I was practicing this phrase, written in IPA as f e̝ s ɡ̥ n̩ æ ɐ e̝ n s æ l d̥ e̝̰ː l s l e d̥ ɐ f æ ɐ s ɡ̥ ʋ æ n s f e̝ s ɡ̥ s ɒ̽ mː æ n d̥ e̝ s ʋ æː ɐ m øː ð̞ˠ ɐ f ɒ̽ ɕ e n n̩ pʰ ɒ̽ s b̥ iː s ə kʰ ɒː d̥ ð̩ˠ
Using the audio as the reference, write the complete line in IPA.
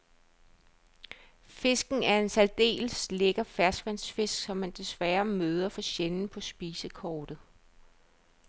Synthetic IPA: f e̝ s ɡ̥ n̩ æ ɐ e̝ n s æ l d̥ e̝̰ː l s l e ɡ̥ ɐ f æ ɐ s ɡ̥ ʋ æ n s f e̝ s ɡ̥ s ɒ̽ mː æ n d̥ e̝ s ʋ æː ɐ m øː ð̞ˠ ɐ f ɒ̽ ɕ e n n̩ pʰ ɒ̽ s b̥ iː s ə kʰ ɒː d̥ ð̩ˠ

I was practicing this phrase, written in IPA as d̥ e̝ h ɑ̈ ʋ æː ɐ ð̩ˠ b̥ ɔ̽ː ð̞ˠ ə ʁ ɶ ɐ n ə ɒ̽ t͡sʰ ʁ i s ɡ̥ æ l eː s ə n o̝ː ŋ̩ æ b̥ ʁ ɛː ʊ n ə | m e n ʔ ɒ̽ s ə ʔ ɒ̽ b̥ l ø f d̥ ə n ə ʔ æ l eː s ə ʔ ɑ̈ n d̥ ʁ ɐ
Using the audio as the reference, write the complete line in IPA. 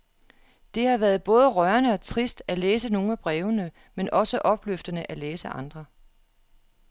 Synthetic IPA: d̥ e̝ h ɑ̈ ʋ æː ɐ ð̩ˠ b̥ ɔ̽ː ð̞ˠ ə ʁ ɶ ɐ n ə ɒ̽ t͡sʰ ʁ i s d̥ æ l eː s ə n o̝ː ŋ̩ æ b̥ ʁ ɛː ʊ n ə | m e n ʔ ɒ̽ s ə ʔ ɒ̽ b̥ l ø f d̥ ə n ə ʔ æ l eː s ə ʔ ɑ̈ n d̥ ʁ ɐ

